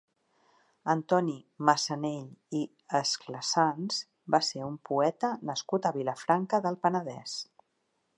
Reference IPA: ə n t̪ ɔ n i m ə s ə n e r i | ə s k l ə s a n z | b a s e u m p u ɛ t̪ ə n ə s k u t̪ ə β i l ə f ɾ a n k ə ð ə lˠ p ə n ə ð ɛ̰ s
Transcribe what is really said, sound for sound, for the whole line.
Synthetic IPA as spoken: ə n t̪ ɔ n i m ə s ə n e ʎ i | ə s k l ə s a n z | b a s e u m p u ɛ t̪ ə n ə s k u t̪ ə β i l ə f ɾ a ŋ k ə ð ə lˠ p ə n ə ð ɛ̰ s